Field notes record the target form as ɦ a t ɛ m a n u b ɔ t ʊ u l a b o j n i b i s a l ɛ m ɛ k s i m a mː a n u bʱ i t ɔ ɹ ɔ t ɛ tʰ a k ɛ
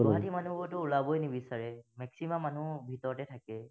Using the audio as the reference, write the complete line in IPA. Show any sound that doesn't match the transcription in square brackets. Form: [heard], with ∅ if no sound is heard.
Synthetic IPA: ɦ a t [i] m a n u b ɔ t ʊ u l a b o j n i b i s a [ɹ] ɛ m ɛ k s i m a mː a n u bʱ i t ɔ ɹ ɔ t ɛ tʰ a k ɛ